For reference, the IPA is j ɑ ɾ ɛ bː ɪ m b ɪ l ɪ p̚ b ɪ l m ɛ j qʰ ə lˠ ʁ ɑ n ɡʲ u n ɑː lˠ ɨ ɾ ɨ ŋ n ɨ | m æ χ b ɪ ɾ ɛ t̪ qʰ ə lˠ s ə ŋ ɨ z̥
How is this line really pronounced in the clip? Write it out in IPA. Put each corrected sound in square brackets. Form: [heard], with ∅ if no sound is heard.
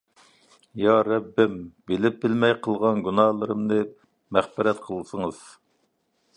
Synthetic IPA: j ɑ ɾ ɛ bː ɪ m b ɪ l ɪ p̚ b ɪ l m ɛ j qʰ ə lˠ ʁ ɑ n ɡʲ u n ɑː lˠ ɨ ɾ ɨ [m] n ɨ | m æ χ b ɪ ɾ ɛ t̪ qʰ ə lˠ s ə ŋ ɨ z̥